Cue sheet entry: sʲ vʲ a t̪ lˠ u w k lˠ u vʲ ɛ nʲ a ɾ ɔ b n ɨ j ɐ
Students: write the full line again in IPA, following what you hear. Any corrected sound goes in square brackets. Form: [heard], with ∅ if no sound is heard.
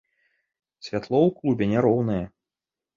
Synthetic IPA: sʲ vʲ a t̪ lˠ [ɔ] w k lˠ u [bʲ] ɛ nʲ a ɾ ɔ [w] n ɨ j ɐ